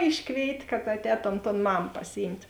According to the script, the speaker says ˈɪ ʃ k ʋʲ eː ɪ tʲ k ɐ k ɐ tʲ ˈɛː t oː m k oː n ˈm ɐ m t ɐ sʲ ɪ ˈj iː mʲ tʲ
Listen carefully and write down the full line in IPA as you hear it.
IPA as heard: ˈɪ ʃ k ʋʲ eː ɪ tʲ k ɐ t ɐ tʲ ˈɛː t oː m t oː n ˈm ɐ m p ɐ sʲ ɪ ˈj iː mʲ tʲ